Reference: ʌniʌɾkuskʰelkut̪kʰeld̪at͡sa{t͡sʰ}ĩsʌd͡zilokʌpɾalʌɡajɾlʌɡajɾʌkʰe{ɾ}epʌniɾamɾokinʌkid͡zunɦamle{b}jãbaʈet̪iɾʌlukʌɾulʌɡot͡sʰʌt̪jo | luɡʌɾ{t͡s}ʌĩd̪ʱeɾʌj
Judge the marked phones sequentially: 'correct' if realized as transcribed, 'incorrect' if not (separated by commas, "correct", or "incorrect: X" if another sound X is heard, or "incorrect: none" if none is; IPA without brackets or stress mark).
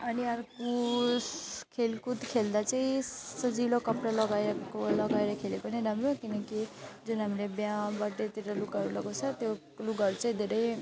incorrect: none, incorrect: l, correct, correct